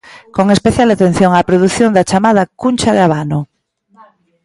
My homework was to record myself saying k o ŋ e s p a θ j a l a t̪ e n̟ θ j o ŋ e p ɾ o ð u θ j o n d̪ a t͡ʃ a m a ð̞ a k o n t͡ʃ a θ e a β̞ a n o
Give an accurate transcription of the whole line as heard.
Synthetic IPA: k o ŋ e s p e θ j a l a t̪ e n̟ θ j o ŋ a p ɾ o ð u θ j o n d̪ a t͡ʃ a m a ð̞ a k u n t͡ʃ a ð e a β̞ a n o